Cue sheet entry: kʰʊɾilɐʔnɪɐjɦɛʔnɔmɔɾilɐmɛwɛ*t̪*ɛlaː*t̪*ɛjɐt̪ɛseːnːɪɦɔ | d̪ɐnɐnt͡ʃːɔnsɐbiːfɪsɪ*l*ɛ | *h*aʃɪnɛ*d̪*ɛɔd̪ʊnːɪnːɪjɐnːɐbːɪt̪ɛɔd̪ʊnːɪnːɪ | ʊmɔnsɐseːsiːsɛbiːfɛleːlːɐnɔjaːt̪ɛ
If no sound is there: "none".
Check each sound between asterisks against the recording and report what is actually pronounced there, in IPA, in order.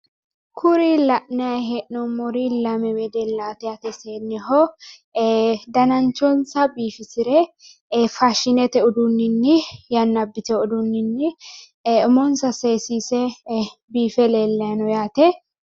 d̪, t̪, ɾ, f, t̪

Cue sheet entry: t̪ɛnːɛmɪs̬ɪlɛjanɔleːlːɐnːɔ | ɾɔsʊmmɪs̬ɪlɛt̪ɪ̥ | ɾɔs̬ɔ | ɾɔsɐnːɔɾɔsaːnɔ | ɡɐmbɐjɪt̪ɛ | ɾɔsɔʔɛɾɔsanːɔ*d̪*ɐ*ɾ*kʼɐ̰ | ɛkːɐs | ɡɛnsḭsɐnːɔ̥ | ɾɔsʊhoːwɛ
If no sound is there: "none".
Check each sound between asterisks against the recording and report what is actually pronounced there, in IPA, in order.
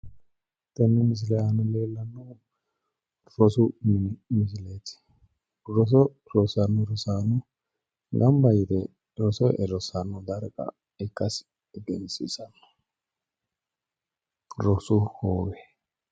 d̪, ɾ

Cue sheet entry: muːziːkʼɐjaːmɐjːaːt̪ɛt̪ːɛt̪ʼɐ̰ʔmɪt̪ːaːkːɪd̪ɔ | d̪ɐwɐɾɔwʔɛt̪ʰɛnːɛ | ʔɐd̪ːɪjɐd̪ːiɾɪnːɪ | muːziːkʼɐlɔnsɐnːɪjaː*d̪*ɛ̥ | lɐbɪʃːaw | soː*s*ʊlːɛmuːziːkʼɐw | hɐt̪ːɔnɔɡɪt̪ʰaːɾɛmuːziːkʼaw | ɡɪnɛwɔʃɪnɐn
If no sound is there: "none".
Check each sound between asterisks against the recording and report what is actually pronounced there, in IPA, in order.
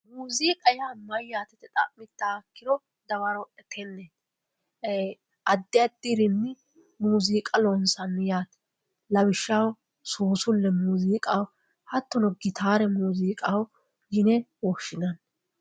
t̪, s

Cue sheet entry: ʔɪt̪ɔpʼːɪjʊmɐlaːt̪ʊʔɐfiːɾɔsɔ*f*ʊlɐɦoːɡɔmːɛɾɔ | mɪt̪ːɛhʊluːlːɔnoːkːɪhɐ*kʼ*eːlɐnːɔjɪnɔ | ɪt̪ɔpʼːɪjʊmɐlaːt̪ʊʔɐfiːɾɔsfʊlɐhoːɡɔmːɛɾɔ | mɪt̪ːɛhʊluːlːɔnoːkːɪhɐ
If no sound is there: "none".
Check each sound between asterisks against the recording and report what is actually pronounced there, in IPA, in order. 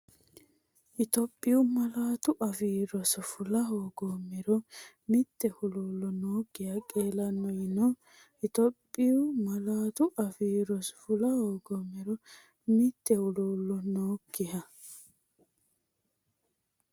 f, kʼ

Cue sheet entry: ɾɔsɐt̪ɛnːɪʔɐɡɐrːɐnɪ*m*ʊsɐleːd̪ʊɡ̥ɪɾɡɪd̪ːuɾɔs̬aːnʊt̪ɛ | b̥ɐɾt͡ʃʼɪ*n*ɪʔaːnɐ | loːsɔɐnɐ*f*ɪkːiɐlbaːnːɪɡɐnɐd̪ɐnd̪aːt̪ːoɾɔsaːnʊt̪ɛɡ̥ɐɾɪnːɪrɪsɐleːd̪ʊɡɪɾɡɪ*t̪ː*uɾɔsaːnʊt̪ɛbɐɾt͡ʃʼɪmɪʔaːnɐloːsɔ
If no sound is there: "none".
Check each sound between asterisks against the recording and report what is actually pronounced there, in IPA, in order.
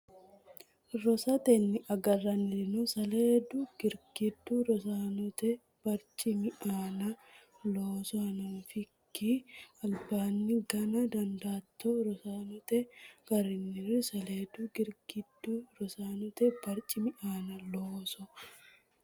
n, m, f, d̪ː

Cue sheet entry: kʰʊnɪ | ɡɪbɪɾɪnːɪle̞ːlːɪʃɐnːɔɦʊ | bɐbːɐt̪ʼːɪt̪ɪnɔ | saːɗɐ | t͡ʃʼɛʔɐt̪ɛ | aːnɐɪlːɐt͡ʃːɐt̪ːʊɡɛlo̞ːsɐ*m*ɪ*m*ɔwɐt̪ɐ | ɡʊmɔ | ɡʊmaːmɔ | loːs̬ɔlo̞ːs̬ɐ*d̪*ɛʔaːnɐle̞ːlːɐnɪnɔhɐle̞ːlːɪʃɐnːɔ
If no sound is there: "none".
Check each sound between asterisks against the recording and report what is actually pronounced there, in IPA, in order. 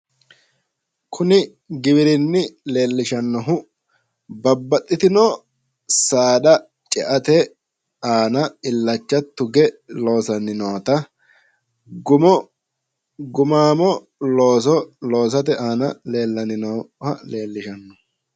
n, n, t̪

